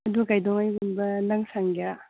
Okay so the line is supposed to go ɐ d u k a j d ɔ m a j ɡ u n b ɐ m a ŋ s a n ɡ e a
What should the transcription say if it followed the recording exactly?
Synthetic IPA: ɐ d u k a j d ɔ ŋ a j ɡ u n b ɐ n a ŋ s a ŋ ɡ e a

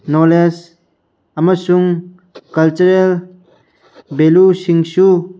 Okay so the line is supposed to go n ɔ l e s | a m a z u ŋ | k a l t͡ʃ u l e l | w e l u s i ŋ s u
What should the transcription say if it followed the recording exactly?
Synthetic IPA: n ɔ l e s | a m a s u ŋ | k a l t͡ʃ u ɾ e l | b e l u s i ŋ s u

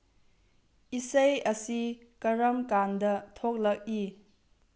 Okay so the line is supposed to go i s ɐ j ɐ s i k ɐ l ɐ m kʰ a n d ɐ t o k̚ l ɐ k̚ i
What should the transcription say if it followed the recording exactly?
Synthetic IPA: i s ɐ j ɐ s i k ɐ ɾ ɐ m k a n d ɐ tʰ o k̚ l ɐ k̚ i

